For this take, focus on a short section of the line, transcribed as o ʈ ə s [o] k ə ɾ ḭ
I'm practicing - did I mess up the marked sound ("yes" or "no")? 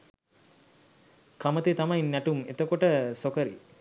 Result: no